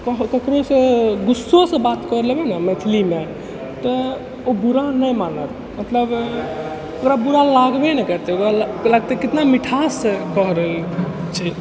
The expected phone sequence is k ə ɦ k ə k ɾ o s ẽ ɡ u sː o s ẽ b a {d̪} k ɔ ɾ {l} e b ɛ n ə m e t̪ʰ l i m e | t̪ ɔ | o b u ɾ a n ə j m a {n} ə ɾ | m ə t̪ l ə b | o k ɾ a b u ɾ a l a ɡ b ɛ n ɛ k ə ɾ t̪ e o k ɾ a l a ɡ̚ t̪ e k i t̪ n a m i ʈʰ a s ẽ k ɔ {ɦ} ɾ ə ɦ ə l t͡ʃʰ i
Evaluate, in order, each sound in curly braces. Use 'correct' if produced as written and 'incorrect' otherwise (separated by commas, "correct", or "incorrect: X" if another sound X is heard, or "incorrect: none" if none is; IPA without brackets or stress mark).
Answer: incorrect: t̪, correct, correct, correct